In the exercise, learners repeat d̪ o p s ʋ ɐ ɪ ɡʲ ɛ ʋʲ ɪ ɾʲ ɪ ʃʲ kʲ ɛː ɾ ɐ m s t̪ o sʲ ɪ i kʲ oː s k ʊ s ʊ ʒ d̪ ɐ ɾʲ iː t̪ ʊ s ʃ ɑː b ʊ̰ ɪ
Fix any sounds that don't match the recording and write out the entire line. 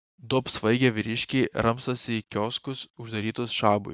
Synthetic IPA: d̪ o p s ʋ ɐ ɪ ɡʲ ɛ ʋʲ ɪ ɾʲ ɪ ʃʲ kʲ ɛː ɾ ɐ m s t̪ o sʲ ɪ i kʲ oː s k ʊ s ʊ ʒ d̪ ɐ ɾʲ iː t̪ ʊ s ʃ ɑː b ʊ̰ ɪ